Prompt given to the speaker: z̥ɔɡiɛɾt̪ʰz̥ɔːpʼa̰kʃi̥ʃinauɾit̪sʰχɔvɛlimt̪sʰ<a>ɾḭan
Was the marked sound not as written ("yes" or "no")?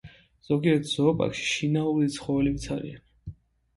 no